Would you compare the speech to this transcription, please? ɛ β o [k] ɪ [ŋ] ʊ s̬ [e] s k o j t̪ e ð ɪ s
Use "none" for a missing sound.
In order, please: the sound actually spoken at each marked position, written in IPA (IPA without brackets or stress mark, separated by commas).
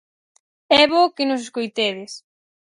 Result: k, n, e